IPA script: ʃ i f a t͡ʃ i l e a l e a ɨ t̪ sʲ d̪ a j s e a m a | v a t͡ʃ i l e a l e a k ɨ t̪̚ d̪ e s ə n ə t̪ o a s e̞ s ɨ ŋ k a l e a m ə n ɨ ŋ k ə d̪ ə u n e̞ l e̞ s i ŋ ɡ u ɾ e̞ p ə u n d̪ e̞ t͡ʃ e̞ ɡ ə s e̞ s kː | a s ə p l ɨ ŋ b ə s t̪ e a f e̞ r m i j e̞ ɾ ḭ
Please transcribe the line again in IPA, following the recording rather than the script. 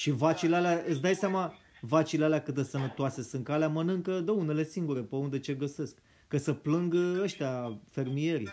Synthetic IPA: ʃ i v a t͡ʃ i l e a l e a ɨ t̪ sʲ d̪ a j s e a m a | v a t͡ʃ i l e a l e a k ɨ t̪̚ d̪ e s ə n ə t̪ o a s e̞ s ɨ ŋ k a l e a m ə n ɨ ŋ k ə d̪ ə u n e̞ l e̞ s i ŋ ɡ u ɾ e̞ p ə u n d̪ e̞ t͡ʃ e̞ ɡ ə s e̞ s kː | ə s ə p l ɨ ŋ ɡ ə ʃ t̪ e a f e̞ r m i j e̞ ɾ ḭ